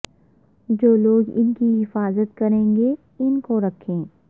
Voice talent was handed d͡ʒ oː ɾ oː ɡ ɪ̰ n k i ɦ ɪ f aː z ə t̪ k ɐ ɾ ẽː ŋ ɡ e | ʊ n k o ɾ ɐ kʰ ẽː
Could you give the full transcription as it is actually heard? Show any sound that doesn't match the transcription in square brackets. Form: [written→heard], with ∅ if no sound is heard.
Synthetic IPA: d͡ʒ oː [ɾ→l] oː ɡ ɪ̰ n k i ɦ ɪ f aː z ə t̪ k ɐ ɾ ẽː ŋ ɡ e | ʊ n k o ɾ ɐ kʰ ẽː